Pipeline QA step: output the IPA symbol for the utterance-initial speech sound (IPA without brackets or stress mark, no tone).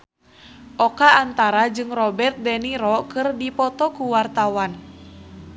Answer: ʔ